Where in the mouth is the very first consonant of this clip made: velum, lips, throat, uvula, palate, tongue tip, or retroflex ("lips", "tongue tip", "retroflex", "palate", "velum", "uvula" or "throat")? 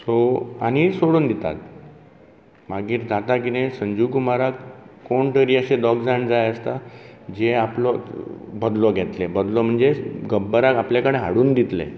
tongue tip